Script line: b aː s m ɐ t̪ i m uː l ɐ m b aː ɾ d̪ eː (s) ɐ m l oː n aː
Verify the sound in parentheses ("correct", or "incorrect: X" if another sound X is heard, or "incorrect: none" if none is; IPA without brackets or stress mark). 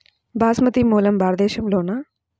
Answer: incorrect: ʃ